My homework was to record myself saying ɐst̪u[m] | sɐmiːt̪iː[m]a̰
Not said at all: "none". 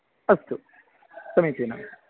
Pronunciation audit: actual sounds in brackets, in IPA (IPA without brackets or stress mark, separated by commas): none, n